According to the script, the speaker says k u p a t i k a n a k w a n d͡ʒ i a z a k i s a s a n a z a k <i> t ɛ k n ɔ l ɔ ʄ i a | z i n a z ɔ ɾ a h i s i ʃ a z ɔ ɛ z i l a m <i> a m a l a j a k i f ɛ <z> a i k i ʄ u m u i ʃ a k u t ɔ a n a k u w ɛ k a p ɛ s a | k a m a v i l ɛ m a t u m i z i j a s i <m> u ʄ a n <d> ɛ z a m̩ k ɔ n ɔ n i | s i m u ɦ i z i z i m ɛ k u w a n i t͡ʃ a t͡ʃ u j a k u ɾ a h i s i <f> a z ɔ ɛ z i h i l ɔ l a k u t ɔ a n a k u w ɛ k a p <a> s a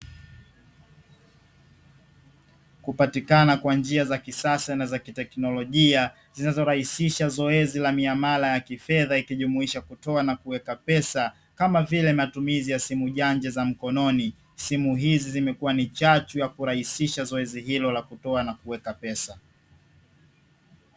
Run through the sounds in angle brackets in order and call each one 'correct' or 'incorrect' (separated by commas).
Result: correct, correct, incorrect, correct, incorrect, incorrect, incorrect